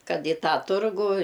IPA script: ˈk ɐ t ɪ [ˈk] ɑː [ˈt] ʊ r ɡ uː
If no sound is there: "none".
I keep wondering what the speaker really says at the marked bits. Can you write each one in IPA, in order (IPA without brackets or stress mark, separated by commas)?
t, t